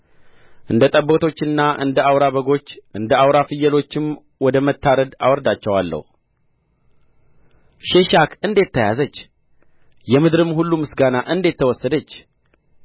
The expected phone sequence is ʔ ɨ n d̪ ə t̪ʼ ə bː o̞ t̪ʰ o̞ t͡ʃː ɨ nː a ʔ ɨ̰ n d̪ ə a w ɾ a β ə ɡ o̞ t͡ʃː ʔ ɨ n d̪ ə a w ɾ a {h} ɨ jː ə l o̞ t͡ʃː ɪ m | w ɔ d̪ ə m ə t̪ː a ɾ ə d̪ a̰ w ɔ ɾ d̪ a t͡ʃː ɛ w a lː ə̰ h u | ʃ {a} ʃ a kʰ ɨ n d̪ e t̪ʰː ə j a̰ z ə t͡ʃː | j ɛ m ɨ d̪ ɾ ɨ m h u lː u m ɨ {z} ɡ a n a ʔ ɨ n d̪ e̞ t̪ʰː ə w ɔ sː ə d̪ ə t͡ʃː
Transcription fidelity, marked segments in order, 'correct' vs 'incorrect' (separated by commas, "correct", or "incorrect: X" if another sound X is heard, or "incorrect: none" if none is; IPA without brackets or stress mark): incorrect: f, incorrect: e, incorrect: s